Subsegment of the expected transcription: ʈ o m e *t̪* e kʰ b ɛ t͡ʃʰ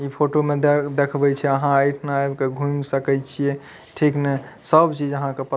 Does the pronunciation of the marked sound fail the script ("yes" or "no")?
yes